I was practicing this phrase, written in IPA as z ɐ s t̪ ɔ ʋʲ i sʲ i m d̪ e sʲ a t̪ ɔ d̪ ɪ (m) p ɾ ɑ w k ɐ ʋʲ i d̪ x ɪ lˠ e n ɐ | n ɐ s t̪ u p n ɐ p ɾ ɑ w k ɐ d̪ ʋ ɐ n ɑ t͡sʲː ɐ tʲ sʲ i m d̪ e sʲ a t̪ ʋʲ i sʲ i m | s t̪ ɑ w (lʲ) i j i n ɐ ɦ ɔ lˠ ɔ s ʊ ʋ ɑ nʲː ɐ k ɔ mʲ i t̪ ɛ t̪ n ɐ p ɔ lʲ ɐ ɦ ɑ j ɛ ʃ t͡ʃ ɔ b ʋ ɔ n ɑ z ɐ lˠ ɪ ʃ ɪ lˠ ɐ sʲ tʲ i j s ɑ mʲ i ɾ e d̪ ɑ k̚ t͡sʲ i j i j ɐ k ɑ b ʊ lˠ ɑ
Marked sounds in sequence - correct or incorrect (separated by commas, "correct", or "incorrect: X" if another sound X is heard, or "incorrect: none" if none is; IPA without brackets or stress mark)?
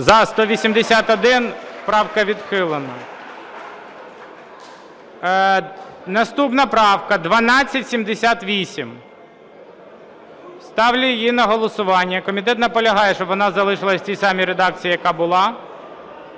incorrect: n, correct